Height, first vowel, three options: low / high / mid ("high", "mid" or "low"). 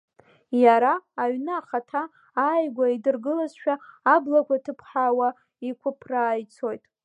low